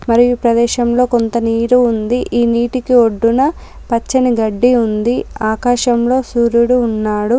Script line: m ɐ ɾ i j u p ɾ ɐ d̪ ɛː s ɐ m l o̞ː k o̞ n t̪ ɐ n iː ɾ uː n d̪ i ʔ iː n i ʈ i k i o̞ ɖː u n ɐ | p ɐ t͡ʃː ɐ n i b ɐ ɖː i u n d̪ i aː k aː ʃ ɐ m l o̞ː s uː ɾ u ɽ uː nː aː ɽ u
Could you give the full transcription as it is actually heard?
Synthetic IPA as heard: m ɐ ɾ i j u p ɾ ɐ d̪ ɛː ʃ ɐ m l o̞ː k o̞ n t̪ ɐ n iː ɾ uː n d̪ i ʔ iː n iː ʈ i k i o̞ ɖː u n ɐ | p ɐ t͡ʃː ɐ n i ɡ ɐ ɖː i u n d̪ i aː k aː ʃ ɐ m l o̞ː s uː ɾ u ɽ uː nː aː ɽ u